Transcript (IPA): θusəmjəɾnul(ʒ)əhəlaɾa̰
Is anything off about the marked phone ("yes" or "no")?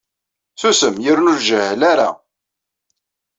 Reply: no